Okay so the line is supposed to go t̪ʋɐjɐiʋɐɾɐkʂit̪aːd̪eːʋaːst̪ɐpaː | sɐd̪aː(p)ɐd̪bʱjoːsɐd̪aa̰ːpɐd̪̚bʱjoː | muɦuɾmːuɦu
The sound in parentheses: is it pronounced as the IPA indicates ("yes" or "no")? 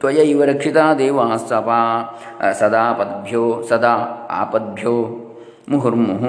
yes